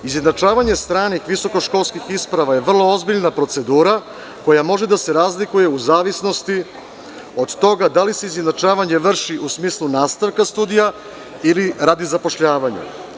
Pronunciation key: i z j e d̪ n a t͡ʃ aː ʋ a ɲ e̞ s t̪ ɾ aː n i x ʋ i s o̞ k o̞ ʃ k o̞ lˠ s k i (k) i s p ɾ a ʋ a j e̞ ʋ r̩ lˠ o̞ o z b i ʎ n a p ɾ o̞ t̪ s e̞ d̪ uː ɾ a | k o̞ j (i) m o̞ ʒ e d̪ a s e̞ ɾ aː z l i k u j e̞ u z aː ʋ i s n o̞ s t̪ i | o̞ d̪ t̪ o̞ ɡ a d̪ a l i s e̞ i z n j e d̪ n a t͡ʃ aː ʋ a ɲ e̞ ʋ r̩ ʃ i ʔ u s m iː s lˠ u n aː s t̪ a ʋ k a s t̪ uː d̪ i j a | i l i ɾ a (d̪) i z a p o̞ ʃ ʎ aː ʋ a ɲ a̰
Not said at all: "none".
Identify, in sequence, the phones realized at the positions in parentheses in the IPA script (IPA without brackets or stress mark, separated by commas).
x, a, d̪